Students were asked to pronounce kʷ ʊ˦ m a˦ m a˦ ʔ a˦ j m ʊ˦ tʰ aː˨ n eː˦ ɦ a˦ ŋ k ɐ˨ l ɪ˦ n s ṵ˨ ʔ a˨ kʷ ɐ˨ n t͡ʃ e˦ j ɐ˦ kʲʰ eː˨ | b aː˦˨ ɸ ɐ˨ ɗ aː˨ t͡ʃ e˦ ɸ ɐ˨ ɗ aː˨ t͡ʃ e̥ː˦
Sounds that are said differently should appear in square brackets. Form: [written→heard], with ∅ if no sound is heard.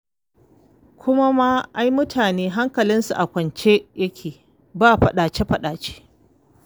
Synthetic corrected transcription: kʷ ʊ˦ m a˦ m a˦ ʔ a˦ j m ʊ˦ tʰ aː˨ n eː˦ ɦ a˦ ŋ k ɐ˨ l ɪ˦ n s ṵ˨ ʔ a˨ kʷ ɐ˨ n t͡ʃ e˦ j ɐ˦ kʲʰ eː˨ | b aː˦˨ ɸ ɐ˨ ɗ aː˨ t͡ʃ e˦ ɸ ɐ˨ ɗ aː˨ t͡ʃ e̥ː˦